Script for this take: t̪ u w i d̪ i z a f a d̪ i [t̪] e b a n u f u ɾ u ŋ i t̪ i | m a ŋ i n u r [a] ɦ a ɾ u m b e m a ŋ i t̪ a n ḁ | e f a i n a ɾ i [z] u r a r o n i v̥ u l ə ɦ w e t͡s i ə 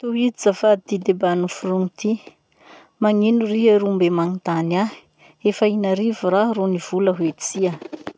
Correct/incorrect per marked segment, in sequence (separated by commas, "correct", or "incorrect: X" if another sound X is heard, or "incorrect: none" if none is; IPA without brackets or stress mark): incorrect: d̪, incorrect: i, incorrect: v